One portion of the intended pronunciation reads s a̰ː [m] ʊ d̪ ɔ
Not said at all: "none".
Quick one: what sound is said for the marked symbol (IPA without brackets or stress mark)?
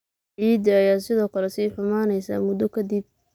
m